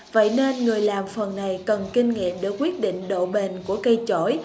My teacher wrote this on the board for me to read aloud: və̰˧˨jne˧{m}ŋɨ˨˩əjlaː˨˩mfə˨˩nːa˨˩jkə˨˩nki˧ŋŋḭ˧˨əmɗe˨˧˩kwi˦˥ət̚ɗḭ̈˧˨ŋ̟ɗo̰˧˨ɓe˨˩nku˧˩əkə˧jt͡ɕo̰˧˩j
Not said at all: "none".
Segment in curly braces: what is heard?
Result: n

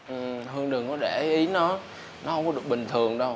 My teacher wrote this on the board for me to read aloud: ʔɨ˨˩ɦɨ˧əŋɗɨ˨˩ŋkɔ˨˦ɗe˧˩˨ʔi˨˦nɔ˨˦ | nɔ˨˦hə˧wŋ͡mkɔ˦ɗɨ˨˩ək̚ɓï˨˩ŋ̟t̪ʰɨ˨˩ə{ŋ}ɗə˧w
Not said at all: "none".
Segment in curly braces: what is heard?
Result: ŋ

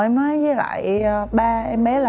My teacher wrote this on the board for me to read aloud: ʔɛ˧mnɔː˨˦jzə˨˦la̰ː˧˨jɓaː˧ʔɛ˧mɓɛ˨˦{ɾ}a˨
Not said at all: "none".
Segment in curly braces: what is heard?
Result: l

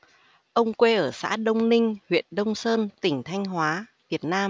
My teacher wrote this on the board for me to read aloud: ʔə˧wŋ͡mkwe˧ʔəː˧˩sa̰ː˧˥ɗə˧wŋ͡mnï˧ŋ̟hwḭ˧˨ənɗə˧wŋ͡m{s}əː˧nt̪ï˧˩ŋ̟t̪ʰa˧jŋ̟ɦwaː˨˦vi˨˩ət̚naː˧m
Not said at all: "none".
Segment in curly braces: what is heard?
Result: s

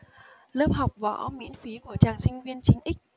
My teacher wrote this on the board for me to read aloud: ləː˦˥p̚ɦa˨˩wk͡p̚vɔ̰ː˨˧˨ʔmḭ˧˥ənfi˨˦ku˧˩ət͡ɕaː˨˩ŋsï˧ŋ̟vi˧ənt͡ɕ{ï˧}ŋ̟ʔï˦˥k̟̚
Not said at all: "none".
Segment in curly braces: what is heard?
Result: ï˧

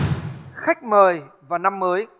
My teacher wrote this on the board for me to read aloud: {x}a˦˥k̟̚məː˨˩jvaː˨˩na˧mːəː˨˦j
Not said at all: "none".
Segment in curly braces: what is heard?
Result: x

